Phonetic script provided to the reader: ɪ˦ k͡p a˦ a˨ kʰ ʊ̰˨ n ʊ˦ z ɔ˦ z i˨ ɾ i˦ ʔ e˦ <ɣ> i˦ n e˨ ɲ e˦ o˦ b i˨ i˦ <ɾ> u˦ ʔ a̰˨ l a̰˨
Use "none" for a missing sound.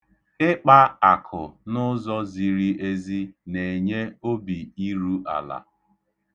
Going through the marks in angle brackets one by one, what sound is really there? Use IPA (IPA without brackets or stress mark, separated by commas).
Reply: z, ɾ